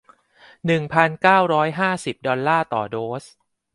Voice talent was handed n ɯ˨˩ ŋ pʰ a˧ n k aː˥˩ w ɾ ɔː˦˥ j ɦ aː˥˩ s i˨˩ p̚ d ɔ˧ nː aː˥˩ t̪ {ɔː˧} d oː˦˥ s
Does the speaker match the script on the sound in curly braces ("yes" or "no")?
no